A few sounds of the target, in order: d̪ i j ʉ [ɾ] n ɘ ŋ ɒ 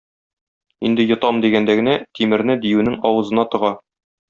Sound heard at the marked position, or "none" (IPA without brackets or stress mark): none